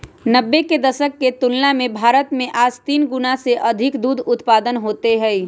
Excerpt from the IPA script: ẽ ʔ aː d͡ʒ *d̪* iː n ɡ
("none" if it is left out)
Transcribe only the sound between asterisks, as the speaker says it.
t̪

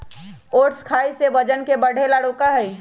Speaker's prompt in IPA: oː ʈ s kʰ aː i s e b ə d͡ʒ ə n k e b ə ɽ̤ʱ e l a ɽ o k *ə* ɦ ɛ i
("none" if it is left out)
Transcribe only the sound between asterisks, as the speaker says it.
a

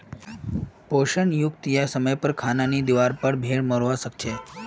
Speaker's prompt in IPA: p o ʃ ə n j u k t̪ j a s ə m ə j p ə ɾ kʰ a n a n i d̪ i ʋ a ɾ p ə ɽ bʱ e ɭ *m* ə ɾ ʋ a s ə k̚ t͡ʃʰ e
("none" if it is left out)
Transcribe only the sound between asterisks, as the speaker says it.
m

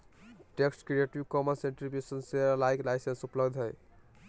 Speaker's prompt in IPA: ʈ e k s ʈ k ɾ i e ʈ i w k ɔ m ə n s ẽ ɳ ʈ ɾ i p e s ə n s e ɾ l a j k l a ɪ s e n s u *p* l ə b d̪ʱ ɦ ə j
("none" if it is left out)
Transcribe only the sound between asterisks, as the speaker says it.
p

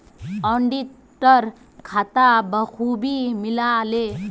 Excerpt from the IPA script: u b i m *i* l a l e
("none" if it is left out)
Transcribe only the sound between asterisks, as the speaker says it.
i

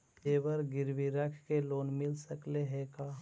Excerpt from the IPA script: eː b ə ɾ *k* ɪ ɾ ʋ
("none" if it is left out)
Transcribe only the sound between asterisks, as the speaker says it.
ɡ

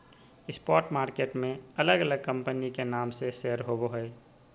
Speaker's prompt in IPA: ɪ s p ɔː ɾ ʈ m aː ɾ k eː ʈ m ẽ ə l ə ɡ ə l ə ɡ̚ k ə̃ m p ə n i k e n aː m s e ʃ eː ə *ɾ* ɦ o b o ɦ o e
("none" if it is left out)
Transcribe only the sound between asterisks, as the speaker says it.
ɾ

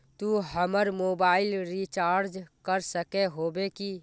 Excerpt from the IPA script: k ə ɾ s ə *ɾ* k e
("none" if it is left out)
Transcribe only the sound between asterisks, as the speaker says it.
none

